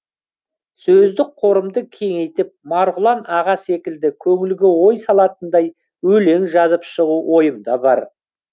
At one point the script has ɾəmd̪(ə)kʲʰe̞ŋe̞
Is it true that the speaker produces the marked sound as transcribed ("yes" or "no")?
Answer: yes